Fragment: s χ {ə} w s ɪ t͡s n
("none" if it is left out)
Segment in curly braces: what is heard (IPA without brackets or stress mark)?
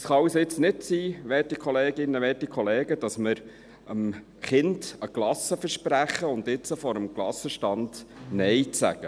ɑ